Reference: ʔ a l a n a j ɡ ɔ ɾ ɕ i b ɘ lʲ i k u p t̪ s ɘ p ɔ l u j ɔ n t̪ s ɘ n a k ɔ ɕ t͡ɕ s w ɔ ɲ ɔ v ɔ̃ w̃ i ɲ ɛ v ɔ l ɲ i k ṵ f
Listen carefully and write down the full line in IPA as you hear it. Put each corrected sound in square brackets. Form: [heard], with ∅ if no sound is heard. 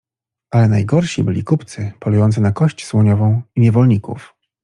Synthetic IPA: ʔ a l [ɛ] n a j ɡ ɔ ɾ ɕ i b ɘ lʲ i k u p t̪ s ɘ p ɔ l u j ɔ n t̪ s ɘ n a k ɔ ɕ t͡ɕ s w ɔ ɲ ɔ v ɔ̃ w̃ i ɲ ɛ v ɔ l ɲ i k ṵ f